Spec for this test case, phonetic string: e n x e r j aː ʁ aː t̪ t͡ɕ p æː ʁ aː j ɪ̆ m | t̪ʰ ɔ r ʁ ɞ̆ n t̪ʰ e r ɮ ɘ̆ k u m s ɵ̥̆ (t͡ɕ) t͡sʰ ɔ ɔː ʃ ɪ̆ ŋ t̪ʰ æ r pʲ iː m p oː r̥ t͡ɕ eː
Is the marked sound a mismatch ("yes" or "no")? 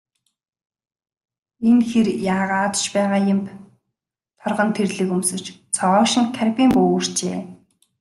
no